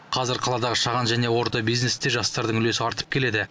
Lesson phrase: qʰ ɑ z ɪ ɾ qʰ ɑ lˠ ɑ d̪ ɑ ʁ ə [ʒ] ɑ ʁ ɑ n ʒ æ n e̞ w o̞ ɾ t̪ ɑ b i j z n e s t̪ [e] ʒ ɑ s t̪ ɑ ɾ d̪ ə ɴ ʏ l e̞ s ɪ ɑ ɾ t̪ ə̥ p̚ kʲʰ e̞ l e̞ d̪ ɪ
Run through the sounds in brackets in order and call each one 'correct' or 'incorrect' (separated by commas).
incorrect, correct